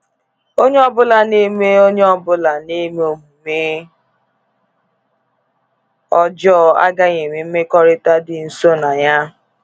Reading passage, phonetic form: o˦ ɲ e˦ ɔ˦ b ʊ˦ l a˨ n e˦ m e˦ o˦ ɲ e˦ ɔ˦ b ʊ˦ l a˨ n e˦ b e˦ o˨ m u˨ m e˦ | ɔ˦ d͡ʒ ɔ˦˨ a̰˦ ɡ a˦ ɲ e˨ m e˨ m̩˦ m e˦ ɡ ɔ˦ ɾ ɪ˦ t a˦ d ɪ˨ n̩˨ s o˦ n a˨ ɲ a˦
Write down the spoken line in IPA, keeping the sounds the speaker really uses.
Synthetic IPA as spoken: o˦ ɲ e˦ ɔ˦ b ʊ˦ l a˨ n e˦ m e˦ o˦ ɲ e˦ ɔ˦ b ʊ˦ l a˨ n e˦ m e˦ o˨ m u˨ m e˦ | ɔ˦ d͡ʒ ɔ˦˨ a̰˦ ɡ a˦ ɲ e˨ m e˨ m̩˦ m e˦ k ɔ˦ ɾ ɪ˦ t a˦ d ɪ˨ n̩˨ s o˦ n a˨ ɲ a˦